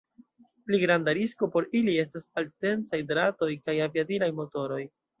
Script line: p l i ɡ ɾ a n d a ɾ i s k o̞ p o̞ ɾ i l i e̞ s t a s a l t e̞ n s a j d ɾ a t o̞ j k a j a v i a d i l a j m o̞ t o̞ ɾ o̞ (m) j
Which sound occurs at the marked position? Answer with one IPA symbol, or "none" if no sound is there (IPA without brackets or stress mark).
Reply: none